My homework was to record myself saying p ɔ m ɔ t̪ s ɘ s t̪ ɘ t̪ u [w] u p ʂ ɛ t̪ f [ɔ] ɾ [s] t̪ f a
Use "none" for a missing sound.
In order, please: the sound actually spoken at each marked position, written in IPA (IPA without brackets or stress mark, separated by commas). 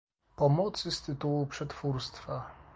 w, u, s